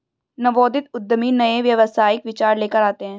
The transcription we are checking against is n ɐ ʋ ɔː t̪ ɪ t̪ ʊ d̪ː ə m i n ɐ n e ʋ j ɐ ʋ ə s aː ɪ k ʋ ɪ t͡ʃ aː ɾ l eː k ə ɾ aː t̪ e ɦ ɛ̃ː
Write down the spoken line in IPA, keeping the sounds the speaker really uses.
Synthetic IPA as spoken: n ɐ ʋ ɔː d̪ ɪ t̪ ʊ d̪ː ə m i n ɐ e ʋ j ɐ ʋ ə s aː ɪ k ʋ ɪ t͡ʃ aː ɾ l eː k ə ɾ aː t̪ e ɦ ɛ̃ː